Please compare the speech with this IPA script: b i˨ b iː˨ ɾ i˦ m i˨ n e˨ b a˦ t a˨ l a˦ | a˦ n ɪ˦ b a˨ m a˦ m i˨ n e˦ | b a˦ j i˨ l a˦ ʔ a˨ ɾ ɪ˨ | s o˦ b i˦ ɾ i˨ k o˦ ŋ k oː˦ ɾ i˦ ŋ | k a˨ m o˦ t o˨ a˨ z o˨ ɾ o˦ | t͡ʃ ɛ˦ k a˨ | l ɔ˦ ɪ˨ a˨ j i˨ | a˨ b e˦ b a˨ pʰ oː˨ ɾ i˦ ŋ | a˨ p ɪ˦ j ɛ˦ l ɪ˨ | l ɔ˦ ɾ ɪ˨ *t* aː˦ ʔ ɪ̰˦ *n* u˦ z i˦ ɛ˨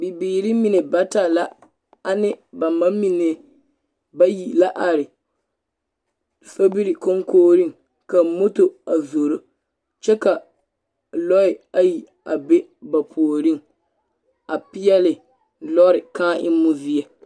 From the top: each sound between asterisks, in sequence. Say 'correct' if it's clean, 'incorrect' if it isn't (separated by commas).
incorrect, incorrect